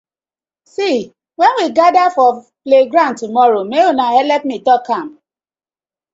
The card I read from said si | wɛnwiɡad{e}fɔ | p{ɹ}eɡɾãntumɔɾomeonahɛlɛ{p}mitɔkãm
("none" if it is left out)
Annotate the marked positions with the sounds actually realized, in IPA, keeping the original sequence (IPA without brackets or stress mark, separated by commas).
a, l, p